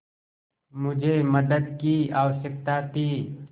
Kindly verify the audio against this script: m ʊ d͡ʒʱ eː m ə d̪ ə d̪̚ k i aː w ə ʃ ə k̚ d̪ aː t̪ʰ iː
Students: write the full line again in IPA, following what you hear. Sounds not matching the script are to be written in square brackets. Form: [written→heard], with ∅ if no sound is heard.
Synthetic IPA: m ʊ d͡ʒʱ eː m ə d̪ ə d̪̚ k i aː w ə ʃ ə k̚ [d̪→t̪] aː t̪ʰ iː